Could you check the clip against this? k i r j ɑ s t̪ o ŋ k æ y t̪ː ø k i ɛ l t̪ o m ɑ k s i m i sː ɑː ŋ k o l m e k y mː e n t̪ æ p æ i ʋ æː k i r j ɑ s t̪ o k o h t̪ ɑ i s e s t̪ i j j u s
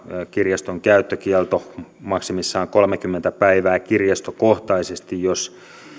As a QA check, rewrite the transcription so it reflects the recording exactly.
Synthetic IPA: k i r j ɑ s t̪ o ŋ k æ y t̪ː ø k i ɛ l t̪ o m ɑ k s i m i sː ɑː ŋ k o l m e k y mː e n t̪ æ p æ i ʋ æː k i r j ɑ s t̪ o k o h t̪ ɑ i s e s t̪ i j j o s